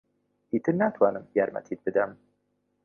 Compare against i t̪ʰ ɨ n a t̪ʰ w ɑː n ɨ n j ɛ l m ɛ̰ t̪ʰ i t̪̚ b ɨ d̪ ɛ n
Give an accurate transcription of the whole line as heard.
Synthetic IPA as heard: i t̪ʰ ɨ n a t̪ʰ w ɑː n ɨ m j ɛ ɾ m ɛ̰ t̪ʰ i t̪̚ b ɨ d̪ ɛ m